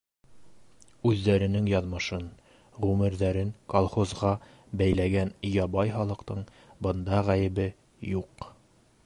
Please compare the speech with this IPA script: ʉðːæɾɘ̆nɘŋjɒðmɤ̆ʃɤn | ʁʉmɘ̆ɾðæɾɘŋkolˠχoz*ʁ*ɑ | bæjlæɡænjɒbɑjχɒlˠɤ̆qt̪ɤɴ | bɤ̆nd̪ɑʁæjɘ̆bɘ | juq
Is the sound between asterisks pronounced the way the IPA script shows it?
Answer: yes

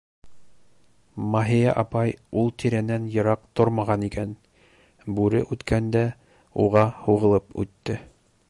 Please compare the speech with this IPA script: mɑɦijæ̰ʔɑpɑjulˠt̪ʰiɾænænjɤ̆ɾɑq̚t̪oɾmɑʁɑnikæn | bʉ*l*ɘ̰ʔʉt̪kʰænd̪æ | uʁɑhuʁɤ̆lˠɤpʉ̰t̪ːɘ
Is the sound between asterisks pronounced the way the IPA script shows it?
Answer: no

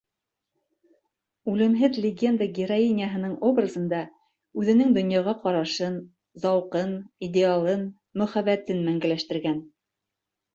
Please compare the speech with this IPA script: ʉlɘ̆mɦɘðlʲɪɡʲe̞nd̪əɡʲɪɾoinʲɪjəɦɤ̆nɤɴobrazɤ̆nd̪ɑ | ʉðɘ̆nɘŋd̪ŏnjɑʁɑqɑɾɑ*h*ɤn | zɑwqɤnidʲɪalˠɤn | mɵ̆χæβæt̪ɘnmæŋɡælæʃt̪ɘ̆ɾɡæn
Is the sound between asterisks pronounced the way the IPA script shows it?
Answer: no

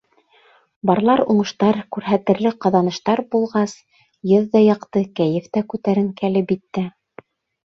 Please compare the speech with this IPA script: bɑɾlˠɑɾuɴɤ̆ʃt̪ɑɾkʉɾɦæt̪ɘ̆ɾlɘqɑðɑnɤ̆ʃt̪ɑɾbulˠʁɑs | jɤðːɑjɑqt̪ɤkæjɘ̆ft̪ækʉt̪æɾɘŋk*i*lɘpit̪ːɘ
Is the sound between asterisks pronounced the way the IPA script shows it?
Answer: no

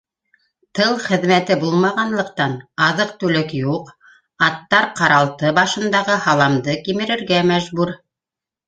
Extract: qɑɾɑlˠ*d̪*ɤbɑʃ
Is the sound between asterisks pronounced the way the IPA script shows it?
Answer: no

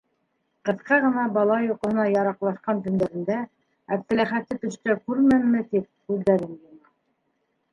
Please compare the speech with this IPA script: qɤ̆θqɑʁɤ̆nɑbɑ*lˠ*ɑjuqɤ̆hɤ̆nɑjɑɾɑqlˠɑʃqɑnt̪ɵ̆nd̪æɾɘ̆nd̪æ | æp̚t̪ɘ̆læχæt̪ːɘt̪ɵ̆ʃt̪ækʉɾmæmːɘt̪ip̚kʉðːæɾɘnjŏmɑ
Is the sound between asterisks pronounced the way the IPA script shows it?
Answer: yes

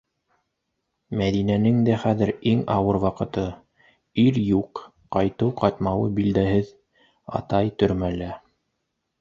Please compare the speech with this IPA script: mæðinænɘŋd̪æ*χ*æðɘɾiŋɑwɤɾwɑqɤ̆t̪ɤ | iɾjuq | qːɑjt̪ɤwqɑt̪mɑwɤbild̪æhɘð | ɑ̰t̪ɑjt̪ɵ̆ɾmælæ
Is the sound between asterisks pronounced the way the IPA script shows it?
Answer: yes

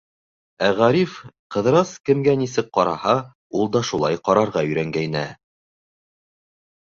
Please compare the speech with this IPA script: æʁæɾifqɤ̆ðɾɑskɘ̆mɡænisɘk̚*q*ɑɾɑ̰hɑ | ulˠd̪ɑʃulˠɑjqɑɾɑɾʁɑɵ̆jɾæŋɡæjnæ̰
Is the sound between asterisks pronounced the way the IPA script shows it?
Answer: yes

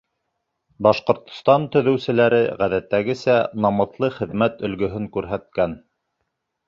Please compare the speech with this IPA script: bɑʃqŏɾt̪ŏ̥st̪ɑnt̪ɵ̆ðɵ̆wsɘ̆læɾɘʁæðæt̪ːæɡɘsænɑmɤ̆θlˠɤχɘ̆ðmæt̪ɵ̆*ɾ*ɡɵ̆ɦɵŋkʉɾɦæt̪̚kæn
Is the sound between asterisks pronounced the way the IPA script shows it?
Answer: no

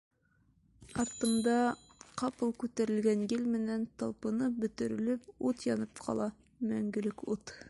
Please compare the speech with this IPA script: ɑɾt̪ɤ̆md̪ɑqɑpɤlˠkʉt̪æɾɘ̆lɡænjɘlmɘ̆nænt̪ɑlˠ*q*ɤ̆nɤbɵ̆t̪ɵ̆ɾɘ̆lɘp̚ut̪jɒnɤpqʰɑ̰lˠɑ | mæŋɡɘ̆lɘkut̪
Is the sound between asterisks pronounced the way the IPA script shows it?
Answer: no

